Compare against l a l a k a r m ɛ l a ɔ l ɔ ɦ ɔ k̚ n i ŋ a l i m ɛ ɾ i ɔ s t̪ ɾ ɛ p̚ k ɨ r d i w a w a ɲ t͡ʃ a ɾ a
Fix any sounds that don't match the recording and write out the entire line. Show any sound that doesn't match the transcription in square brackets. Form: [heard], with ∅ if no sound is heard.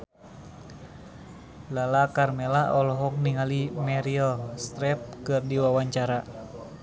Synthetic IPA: l a l a k a r m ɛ l a ɔ l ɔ ɦ ɔ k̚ n i ŋ a l i m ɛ ɾ i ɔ s t̪ ɾ ɛ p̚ k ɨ r d i w a w a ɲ t͡ʃ a ɾ a